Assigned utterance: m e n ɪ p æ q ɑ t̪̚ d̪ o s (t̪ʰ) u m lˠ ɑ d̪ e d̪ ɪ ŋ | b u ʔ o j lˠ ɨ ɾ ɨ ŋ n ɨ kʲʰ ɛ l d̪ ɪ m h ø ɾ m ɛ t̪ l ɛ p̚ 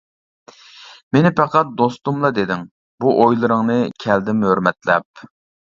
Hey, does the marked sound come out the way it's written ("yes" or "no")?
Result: no